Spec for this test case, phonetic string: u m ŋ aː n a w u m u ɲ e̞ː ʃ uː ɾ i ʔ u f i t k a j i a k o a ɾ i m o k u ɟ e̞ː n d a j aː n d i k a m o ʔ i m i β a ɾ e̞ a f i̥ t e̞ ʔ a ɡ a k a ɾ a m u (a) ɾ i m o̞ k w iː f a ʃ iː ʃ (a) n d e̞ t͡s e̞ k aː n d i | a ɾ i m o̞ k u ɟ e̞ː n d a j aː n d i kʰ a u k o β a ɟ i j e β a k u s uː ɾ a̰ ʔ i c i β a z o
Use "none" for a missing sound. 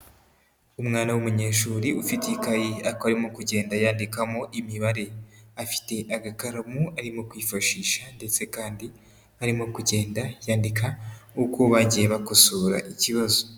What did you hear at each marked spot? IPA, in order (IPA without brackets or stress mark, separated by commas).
a, a